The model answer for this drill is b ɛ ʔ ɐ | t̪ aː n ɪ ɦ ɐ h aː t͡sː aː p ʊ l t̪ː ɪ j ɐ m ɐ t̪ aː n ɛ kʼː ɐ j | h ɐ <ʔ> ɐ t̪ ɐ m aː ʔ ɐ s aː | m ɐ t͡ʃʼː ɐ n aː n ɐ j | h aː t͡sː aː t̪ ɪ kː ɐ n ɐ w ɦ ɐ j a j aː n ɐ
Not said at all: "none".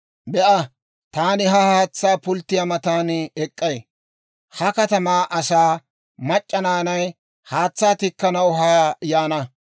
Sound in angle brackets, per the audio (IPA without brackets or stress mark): k